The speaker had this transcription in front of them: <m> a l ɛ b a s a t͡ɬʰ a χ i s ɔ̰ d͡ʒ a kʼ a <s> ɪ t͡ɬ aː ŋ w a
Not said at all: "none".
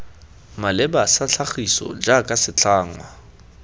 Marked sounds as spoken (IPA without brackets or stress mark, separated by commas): m, s